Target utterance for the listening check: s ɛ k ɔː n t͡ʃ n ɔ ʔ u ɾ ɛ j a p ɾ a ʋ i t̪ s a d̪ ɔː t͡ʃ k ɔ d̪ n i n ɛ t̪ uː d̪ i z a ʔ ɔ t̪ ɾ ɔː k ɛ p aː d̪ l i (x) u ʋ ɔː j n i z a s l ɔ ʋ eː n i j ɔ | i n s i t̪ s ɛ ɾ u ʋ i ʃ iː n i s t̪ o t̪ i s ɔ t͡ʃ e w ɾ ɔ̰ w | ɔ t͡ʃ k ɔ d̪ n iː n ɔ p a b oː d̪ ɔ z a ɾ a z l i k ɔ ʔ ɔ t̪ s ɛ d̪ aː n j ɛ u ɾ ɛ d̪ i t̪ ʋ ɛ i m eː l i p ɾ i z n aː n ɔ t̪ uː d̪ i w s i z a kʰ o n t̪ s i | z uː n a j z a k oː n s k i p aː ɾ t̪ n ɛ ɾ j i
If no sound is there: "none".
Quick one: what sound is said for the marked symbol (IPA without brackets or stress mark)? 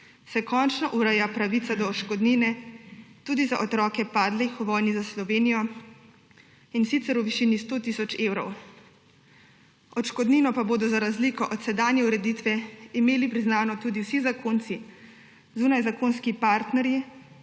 x